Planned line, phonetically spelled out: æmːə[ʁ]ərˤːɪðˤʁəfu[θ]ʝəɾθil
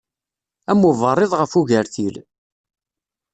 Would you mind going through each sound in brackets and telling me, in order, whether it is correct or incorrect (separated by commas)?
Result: incorrect, incorrect